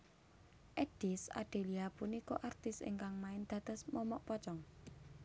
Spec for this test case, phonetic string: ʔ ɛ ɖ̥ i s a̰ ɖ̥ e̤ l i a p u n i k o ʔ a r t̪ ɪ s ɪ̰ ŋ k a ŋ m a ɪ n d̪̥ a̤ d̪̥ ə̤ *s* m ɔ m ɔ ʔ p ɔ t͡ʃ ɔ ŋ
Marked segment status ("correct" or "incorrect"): correct